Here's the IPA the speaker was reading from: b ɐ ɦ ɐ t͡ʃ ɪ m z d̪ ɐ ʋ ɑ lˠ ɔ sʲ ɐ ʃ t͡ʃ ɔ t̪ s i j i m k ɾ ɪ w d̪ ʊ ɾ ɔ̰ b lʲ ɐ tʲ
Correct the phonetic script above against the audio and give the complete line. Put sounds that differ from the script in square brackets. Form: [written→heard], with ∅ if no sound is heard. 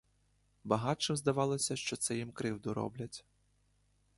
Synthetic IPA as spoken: b ɐ ɦ [ɐ→ɑ] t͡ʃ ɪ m z d̪ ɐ ʋ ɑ lˠ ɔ sʲ ɐ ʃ t͡ʃ ɔ t̪ s [i→ɛ] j i m k ɾ ɪ w d̪ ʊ ɾ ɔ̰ b lʲ ɐ tʲ